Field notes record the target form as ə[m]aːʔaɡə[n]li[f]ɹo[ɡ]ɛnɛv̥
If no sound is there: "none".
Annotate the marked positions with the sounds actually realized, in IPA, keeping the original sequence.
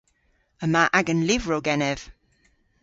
m, n, v, ɡ

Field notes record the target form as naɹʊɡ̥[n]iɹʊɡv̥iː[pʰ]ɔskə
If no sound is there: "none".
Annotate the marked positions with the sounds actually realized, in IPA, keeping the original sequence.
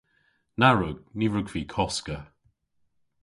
n, kʰ

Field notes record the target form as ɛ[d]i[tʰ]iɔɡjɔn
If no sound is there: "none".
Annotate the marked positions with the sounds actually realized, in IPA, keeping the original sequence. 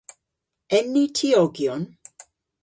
n, tʰ

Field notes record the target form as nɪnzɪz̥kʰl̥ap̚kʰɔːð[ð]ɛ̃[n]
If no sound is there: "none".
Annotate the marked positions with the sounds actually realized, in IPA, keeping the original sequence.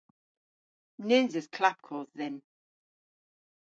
ð, n

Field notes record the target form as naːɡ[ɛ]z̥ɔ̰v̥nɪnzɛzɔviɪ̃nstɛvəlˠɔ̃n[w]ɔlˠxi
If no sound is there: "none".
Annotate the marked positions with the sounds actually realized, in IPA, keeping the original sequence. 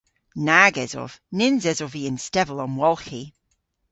ɛ, w

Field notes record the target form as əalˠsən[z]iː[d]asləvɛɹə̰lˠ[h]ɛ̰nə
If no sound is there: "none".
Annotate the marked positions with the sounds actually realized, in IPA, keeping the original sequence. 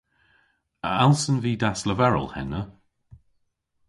v, d, h

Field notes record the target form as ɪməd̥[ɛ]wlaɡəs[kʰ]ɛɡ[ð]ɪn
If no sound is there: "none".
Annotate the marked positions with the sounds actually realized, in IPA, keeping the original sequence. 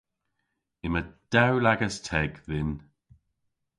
a, tʰ, ð

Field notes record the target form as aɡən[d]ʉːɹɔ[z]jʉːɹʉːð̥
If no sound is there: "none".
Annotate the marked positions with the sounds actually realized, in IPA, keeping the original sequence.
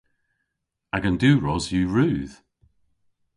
d, z

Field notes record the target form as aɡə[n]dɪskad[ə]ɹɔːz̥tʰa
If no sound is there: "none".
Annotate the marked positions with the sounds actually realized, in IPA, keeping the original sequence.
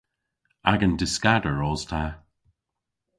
n, ə

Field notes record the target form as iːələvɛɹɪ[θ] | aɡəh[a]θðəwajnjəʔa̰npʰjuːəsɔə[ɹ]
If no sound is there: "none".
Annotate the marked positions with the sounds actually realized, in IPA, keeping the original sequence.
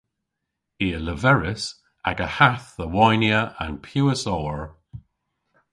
s, a, ɹ

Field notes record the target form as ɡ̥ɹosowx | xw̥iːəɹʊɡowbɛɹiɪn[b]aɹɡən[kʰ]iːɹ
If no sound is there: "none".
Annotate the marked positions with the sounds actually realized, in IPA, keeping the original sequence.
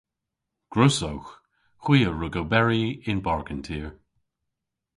b, tʰ

